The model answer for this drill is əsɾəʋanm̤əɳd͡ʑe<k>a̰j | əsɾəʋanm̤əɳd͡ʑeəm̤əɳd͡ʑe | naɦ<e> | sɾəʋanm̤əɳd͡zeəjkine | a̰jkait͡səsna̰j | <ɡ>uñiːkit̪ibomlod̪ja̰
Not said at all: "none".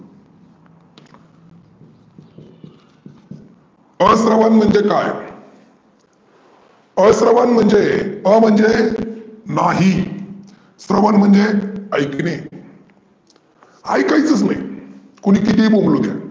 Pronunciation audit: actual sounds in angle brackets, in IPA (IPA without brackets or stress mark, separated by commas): k, i, k